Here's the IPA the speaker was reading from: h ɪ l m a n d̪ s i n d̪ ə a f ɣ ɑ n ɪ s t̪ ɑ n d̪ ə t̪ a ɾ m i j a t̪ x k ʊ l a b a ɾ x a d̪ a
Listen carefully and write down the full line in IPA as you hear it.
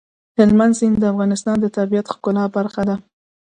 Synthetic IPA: h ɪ l m a n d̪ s i n d̪ ə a f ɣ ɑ n ɪ s t̪ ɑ n d̪ ə t̪ a ɾ b i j a t̪ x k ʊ l ɑ b a ɾ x a d̪ a